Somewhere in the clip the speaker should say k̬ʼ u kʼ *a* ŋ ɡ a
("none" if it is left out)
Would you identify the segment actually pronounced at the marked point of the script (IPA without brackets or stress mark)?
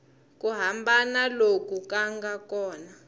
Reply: a